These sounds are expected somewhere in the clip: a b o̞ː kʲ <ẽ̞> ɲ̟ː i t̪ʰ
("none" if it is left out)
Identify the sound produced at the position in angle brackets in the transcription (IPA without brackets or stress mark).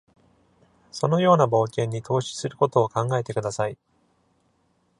ẽ̞